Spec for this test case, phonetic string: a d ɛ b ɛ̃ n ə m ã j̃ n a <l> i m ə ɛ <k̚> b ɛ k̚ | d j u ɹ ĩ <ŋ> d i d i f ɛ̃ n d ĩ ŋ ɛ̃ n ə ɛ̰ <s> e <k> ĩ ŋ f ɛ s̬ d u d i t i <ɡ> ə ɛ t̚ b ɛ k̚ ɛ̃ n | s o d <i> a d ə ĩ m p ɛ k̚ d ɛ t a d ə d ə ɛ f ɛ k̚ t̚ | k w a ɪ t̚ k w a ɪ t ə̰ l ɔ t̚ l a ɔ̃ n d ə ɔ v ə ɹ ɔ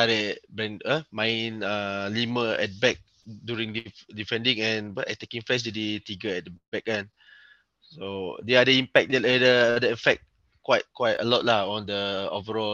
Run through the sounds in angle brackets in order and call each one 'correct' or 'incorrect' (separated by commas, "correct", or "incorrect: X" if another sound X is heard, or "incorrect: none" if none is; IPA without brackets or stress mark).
correct, incorrect: t̚, correct, incorrect: t, correct, correct, incorrect: ɛ